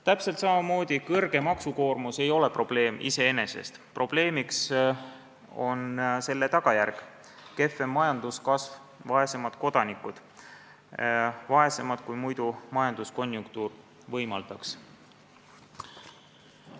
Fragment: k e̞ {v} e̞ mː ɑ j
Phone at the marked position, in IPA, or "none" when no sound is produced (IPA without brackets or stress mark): f